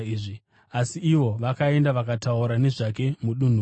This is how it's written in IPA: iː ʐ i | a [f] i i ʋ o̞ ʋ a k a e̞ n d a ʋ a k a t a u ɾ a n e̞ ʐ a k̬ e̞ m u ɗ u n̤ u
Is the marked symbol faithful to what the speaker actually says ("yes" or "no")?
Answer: no